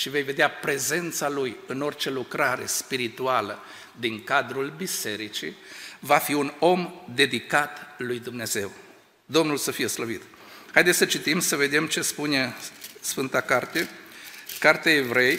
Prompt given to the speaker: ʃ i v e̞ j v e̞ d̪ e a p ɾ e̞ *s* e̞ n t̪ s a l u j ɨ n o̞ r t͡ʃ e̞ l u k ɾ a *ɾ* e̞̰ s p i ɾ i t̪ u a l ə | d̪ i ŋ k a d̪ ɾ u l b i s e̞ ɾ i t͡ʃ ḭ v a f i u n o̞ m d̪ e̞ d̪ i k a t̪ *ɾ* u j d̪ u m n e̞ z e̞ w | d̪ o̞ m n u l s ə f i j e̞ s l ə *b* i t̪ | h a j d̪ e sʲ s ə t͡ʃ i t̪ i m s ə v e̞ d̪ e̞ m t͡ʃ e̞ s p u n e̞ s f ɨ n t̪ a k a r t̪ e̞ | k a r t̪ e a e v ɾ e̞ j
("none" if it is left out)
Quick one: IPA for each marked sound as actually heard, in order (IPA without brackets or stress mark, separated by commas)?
z, ɾ, l, v